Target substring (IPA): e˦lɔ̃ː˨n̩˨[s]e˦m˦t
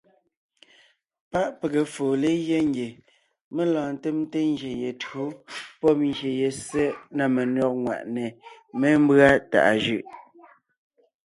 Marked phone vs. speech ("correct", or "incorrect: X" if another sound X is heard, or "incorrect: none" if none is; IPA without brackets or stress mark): incorrect: t